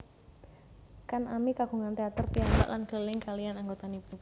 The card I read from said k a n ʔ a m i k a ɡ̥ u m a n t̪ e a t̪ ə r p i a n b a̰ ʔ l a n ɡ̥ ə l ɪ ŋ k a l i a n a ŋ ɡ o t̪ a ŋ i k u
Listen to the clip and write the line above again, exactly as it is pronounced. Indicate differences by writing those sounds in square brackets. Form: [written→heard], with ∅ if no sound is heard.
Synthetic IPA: k a n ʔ a m i k a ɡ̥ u [m→ŋ] a n t̪ e a t̪ ə r p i a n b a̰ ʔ l a n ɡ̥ ə l ɪ ŋ k a l i a n a ŋ ɡ o t̪ a [ŋ→n] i [k→p] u